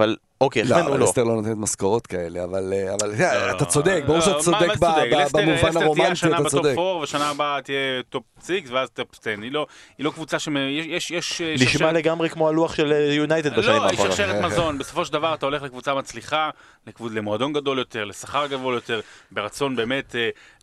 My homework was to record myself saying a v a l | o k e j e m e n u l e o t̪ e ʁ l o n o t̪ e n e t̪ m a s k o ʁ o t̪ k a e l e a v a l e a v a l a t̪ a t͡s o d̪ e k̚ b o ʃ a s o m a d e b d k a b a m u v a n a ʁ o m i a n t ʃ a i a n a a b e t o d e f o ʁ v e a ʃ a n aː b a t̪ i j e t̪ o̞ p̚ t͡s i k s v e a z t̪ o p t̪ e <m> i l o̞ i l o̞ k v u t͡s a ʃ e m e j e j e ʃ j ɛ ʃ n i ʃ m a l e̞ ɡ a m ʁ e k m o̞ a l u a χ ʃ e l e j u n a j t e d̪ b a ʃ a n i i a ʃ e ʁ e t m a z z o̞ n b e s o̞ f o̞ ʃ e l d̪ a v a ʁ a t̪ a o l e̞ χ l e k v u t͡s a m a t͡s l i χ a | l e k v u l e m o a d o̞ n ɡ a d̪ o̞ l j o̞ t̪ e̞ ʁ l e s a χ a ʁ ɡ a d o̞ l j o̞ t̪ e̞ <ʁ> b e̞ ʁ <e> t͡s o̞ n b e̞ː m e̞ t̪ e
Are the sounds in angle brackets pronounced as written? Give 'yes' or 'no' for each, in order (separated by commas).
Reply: no, yes, no